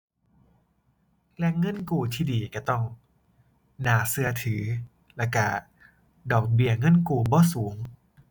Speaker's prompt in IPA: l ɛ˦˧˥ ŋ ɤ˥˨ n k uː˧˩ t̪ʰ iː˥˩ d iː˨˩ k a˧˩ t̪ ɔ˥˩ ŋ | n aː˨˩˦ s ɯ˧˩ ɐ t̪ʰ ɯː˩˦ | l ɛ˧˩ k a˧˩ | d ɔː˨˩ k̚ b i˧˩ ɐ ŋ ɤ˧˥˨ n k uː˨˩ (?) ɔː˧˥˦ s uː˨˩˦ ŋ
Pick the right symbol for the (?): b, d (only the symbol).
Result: b